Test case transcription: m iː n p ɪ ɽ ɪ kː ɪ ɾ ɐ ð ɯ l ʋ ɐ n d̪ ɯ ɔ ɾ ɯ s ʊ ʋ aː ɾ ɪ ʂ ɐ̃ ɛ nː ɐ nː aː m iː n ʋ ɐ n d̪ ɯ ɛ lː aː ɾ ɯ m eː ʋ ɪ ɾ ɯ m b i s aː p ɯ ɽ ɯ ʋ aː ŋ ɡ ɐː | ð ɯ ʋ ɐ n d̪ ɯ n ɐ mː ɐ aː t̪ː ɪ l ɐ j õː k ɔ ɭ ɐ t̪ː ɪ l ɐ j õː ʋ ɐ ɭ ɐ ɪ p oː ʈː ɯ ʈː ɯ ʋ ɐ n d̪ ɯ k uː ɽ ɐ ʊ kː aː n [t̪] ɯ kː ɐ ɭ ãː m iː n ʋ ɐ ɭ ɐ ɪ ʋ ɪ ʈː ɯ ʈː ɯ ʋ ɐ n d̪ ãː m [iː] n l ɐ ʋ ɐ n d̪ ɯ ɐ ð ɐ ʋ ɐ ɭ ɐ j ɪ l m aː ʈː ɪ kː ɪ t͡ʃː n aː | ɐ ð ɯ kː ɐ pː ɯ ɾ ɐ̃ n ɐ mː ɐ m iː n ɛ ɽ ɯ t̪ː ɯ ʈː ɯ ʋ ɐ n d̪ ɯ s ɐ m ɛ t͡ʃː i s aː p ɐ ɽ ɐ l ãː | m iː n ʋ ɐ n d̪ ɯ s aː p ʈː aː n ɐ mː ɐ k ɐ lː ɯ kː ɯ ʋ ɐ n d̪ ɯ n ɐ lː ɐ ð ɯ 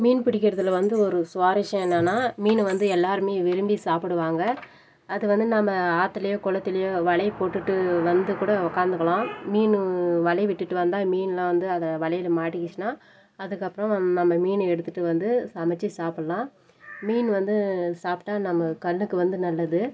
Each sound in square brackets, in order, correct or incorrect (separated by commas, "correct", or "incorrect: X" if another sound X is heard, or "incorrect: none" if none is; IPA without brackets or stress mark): incorrect: d̪, correct